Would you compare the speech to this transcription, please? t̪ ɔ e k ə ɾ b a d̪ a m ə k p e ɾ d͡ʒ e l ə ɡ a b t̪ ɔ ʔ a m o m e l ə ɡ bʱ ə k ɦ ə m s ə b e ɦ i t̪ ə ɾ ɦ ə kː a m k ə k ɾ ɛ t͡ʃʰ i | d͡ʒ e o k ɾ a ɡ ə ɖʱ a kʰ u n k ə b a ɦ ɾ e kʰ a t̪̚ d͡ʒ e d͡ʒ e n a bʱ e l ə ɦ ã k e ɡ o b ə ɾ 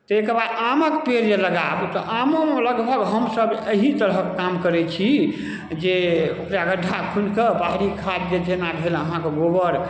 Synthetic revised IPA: t̪ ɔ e k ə ɾ b a d̪ a m ə k p e ɾ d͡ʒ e l ə ɡ a b t̪ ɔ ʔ a m o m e l ə ɡ bʱ ə ɡ ɦ ə m s ə b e ɦ i t̪ ə ɾ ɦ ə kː a m k ə ɾ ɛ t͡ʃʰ i | d͡ʒ e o k ɾ a ɡ ə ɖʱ a kʰ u n k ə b a ɦ ɾ i kʰ a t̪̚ d͡ʒ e d͡ʒ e n a bʱ e l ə ɦ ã k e ɡ o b ə ɾ